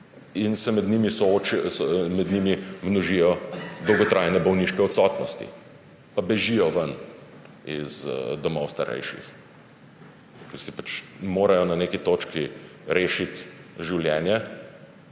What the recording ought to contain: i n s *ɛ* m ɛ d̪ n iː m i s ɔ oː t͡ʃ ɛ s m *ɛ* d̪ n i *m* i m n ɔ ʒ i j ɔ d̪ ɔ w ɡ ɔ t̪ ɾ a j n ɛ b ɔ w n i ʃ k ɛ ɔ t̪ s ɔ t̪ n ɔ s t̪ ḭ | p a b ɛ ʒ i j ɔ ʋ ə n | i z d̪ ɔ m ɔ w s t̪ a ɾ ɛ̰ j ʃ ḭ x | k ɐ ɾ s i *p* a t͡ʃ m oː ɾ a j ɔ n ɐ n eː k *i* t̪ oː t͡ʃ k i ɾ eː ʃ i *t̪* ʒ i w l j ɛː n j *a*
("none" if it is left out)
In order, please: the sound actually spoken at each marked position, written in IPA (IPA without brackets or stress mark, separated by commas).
ɛ, ɛ, m, p, i, t̪, ɛ